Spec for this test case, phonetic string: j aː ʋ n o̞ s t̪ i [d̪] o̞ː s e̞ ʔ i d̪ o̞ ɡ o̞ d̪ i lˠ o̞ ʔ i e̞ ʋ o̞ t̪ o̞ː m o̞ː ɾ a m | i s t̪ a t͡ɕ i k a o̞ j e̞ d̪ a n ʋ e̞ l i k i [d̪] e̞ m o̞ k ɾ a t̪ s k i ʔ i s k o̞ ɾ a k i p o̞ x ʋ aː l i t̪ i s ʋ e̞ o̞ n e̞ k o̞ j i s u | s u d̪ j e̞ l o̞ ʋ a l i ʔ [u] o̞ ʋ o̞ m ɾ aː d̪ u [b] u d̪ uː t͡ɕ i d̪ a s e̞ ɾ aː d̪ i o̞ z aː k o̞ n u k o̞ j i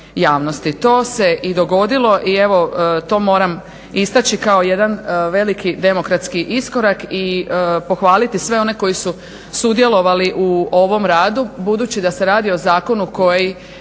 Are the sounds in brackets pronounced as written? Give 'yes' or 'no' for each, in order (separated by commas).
no, yes, yes, yes